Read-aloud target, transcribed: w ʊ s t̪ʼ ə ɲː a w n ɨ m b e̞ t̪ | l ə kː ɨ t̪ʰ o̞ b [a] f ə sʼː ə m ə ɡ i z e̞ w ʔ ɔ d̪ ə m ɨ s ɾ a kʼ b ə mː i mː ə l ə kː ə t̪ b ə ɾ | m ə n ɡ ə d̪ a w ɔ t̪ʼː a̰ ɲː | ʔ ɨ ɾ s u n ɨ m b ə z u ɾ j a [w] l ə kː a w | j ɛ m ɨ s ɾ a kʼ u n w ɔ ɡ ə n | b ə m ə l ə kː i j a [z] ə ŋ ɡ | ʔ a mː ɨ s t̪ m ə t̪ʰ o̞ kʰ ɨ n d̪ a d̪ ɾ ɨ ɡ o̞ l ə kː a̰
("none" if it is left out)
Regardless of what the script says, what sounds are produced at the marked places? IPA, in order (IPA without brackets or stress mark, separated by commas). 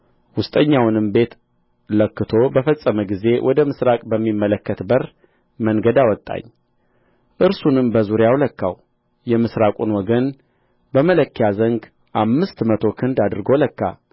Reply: ə, w, z